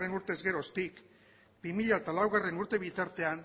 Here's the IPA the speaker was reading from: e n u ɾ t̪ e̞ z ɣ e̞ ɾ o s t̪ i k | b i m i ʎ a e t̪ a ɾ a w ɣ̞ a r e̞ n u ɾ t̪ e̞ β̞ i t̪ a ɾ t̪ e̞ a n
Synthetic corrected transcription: e n u ɾ t̪ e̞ z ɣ e̞ ɾ o s t̪ i k | b i m i ʎ a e t̪ a l a w ɣ̞ a r e̞ n u ɾ t̪ e̞ β̞ i t̪ a ɾ t̪ e̞ a n